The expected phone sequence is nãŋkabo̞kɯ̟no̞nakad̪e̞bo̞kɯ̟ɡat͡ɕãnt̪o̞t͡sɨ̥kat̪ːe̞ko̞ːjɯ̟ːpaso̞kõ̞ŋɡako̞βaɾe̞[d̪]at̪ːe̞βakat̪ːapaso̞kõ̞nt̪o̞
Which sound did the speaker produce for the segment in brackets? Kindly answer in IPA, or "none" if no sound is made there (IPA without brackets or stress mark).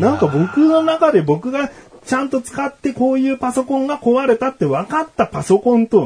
t̪